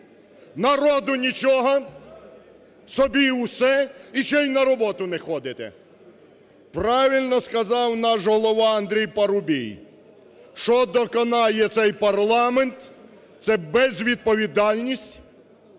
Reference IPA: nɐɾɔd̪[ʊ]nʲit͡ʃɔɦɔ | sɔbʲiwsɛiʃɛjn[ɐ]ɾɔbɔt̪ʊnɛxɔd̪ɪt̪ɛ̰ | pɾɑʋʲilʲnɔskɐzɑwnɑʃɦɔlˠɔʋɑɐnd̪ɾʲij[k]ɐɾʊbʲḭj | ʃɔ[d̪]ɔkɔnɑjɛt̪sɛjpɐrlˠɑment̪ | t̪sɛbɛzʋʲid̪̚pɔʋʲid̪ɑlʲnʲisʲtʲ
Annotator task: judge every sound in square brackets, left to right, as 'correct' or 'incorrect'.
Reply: correct, correct, incorrect: p, correct

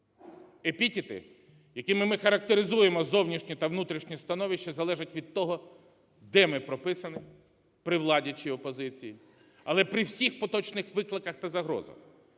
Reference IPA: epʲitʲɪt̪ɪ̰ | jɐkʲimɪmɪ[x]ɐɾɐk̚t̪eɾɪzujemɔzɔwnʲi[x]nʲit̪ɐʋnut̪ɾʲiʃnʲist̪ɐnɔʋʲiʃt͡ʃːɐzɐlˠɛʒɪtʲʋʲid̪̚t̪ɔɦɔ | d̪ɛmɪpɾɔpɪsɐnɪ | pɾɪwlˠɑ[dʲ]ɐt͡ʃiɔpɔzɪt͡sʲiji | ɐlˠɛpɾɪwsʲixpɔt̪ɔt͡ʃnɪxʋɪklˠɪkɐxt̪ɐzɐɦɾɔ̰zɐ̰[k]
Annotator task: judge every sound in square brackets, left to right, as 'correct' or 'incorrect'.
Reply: correct, incorrect: ʃ, correct, incorrect: x

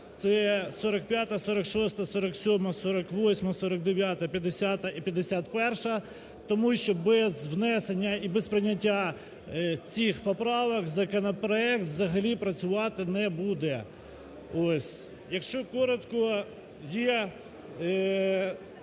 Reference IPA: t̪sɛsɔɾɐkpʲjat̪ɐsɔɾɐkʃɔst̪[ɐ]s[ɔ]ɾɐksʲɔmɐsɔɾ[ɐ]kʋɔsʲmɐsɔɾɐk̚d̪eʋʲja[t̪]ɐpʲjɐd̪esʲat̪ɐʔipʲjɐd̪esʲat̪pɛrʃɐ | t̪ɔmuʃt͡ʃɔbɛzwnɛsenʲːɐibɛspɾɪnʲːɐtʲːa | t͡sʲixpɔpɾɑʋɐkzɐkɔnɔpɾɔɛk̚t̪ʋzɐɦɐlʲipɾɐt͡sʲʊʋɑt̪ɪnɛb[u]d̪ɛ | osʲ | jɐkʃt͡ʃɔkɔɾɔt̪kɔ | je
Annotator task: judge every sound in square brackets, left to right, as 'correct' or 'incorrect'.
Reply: correct, correct, correct, correct, correct

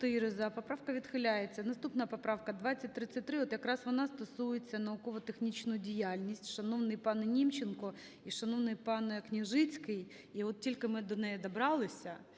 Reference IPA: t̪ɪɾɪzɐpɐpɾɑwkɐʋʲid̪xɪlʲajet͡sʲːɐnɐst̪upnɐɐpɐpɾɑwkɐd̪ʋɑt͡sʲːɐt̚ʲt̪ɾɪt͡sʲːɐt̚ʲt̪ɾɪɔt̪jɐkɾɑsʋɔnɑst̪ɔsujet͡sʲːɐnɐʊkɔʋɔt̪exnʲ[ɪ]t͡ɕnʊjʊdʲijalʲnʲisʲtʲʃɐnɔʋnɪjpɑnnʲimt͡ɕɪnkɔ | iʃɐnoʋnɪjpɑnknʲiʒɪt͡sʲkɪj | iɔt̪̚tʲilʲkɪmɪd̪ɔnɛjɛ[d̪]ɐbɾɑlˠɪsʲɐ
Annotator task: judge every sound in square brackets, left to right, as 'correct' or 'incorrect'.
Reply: incorrect: i, correct

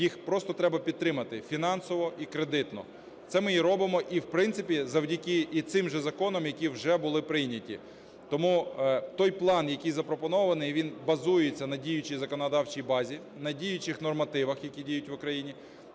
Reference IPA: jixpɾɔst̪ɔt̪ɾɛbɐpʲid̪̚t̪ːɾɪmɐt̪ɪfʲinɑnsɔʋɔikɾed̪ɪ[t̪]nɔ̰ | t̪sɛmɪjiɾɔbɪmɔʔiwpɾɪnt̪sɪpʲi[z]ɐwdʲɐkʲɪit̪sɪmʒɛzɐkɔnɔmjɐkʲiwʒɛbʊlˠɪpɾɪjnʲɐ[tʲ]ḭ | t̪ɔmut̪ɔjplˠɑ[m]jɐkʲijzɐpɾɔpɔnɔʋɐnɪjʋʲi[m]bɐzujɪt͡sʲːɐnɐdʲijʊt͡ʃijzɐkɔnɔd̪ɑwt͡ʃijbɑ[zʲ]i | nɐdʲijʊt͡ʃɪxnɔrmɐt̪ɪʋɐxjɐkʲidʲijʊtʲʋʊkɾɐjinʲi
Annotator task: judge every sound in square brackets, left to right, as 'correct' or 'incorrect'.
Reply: correct, correct, correct, incorrect: n, incorrect: n, correct

